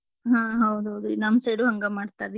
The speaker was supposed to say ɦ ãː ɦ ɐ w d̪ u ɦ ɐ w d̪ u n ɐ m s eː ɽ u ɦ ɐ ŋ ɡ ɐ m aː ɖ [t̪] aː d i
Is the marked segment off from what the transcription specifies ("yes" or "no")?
no